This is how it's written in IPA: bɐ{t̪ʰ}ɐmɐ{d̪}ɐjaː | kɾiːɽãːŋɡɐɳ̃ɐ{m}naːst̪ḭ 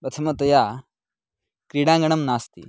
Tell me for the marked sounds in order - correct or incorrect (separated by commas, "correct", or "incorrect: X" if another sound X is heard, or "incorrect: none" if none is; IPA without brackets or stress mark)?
correct, incorrect: t̪, correct